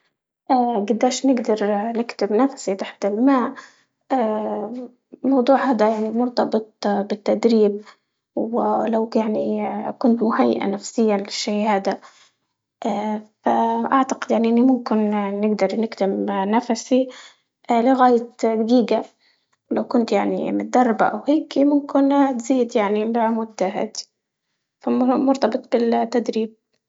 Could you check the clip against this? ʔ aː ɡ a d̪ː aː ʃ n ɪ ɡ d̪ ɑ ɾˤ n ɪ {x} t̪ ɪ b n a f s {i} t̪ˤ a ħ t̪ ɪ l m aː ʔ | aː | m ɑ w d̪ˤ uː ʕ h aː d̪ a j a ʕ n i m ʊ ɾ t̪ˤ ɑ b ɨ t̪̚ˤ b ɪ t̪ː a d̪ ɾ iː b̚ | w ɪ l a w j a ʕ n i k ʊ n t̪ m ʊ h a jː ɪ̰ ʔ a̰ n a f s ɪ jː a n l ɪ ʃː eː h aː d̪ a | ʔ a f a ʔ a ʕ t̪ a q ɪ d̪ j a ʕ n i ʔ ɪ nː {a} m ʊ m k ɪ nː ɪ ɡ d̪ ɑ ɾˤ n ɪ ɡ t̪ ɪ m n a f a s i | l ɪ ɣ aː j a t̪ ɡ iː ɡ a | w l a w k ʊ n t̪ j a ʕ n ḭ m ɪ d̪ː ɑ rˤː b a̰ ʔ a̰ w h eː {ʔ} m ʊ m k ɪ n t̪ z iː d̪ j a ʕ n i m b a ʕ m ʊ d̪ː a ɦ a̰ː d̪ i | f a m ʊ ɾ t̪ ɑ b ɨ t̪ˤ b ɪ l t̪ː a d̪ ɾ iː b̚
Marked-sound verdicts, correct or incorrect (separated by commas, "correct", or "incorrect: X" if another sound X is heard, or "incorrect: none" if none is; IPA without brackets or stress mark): incorrect: k, correct, incorrect: i, incorrect: k